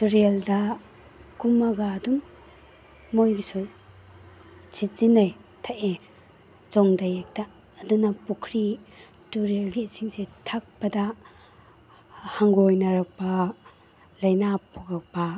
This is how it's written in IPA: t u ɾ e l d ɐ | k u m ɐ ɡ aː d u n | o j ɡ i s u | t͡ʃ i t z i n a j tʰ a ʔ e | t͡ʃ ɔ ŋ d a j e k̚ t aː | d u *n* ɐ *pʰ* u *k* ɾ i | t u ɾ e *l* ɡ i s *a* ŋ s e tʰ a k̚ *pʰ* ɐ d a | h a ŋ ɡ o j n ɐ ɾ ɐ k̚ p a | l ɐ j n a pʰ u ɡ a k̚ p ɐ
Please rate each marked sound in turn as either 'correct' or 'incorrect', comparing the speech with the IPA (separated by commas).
correct, incorrect, incorrect, correct, incorrect, incorrect